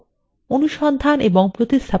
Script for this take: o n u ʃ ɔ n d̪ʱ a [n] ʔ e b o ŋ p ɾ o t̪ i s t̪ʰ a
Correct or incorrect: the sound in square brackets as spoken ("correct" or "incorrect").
correct